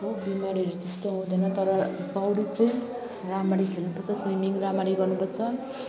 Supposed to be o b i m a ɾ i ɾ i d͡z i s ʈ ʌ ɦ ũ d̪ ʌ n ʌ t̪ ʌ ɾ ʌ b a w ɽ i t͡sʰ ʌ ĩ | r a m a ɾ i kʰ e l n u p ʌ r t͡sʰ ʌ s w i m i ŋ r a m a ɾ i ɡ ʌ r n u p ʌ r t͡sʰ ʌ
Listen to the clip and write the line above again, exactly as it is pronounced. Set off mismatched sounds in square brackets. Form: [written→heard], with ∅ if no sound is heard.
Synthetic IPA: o b i m a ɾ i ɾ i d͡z i s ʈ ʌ ɦ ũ d̪ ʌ n ʌ t̪ ʌ ɾ ʌ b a w ɽ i [t͡sʰ→t͡s] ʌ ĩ | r a m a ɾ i kʰ e l n u p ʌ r t͡sʰ ʌ s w i m i ŋ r a m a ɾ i ɡ ʌ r n u p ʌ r t͡sʰ ʌ